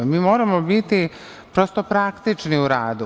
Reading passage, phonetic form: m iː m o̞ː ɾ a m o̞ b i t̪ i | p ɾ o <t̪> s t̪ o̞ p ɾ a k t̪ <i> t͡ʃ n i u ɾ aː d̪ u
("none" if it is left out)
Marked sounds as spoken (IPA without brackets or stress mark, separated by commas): none, i